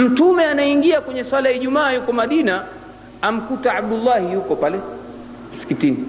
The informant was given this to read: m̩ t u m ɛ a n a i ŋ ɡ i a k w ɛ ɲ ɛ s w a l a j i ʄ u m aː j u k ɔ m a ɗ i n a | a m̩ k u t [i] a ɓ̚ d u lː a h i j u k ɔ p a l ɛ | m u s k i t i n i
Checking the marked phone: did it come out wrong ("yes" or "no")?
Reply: yes